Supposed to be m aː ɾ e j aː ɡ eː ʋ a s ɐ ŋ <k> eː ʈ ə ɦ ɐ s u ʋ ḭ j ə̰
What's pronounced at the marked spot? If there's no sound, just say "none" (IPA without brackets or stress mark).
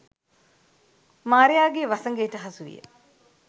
ɡ